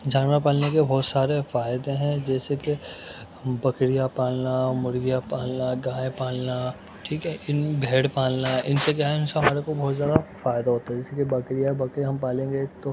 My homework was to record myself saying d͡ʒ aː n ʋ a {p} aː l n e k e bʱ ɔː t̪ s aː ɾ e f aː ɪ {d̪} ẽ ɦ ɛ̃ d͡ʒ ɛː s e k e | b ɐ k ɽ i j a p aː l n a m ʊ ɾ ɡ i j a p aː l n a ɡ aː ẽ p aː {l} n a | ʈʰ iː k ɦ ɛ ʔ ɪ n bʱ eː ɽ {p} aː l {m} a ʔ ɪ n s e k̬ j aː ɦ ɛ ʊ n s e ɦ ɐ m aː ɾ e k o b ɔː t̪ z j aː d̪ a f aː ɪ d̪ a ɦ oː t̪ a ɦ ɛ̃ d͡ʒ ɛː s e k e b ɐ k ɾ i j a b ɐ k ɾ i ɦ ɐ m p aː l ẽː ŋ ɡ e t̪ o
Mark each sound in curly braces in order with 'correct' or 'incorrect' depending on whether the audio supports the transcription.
correct, correct, correct, correct, incorrect: n

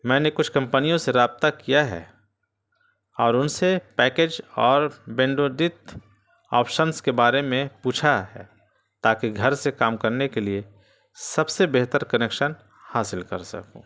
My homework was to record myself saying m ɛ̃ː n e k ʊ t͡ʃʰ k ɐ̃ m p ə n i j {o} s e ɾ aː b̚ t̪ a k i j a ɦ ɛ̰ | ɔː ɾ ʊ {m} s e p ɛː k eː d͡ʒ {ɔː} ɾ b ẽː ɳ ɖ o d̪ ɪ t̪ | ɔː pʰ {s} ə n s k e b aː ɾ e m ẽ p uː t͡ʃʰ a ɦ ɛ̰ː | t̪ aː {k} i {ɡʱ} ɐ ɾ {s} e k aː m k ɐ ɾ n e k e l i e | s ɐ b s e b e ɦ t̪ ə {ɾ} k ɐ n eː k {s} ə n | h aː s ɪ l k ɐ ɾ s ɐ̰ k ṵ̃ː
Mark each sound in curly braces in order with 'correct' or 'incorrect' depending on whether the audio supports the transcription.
incorrect: õ, incorrect: n, correct, incorrect: ʃ, correct, correct, correct, correct, incorrect: ʃ

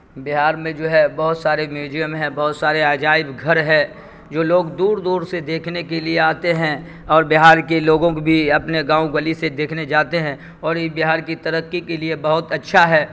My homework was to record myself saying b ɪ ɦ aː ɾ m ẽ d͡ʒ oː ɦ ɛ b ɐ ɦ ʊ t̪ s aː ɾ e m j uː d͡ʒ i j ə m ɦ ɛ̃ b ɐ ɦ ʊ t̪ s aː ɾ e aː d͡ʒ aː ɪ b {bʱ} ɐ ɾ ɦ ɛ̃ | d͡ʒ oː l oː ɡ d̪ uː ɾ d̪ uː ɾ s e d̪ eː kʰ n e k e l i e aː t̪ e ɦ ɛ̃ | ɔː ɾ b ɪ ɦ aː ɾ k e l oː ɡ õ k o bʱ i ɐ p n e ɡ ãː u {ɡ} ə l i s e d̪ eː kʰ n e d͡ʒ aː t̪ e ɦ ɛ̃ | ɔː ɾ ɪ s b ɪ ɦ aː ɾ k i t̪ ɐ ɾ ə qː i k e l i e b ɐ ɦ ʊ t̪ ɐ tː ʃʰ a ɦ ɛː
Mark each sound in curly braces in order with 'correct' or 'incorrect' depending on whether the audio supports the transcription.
incorrect: ɡʱ, correct

